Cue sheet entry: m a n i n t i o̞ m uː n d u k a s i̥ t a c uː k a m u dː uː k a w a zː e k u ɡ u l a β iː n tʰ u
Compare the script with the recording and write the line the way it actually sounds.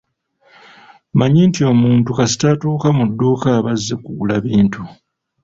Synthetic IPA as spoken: m a ɲ i n t i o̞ m uː n t u k a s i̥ t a t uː k a m u dː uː k a β a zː e k u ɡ u l a β iː n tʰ u